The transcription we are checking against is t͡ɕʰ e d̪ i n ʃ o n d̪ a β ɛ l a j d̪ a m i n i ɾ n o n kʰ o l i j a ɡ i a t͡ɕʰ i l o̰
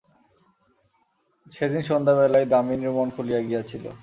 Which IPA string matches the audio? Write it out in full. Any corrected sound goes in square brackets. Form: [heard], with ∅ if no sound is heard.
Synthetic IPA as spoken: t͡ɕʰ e d̪ i n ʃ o n d̪ a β ɛ l a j d̪ a m i n i ɾ [m] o n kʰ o l i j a ɡ i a t͡ɕʰ i l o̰